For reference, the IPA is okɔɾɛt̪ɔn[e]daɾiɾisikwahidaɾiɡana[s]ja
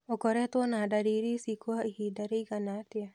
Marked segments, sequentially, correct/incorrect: incorrect: a, incorrect: t

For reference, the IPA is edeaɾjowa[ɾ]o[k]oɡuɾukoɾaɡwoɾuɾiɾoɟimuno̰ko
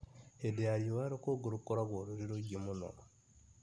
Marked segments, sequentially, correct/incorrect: correct, correct

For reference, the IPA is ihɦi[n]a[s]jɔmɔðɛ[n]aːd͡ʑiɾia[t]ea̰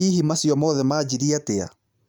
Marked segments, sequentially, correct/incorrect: incorrect: m, correct, incorrect: m, correct

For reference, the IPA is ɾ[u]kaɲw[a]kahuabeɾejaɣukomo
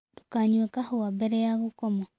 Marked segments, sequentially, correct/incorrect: correct, incorrect: e

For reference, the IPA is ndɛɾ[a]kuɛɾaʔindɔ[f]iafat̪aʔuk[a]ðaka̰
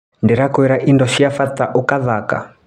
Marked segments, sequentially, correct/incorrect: correct, incorrect: ʃ, correct

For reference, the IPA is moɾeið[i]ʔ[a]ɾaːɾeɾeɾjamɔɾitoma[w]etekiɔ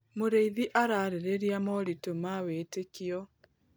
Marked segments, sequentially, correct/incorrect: correct, correct, correct

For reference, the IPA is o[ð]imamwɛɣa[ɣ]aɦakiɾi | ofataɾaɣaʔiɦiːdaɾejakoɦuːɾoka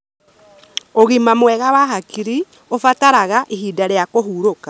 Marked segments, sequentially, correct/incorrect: incorrect: ɣ, incorrect: w

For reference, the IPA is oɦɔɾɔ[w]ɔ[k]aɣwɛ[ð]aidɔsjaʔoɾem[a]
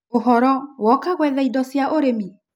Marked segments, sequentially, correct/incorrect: correct, correct, correct, incorrect: i

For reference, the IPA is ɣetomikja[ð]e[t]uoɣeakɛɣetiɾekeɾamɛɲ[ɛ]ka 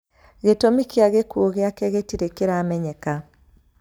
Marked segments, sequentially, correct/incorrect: incorrect: ɣ, incorrect: k, correct

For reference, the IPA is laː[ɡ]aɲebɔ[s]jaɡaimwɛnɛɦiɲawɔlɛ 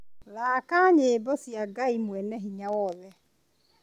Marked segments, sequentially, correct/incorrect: incorrect: k, correct

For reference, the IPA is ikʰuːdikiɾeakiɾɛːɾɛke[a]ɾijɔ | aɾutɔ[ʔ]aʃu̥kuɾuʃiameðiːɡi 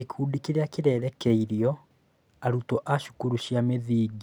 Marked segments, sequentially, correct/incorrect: incorrect: i, correct

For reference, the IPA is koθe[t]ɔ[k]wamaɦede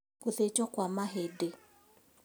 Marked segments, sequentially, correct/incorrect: incorrect: t͡ʃ, correct

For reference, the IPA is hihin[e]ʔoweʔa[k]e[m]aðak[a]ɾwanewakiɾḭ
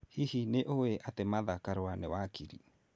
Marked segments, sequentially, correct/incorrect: correct, incorrect: t, correct, correct

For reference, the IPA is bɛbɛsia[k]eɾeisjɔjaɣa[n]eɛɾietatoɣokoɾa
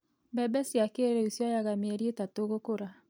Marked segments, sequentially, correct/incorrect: correct, incorrect: m

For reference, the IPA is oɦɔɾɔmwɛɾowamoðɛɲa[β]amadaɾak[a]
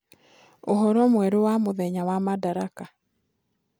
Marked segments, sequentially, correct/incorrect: incorrect: w, correct

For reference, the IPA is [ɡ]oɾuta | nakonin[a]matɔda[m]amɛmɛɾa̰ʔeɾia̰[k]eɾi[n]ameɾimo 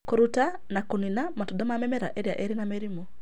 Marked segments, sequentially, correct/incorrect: incorrect: k, correct, correct, incorrect: ʔ, correct

